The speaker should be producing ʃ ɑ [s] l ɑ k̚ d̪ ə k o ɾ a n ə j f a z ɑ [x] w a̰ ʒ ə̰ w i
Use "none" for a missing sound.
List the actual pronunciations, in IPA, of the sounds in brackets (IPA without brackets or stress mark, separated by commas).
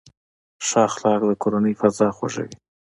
x, x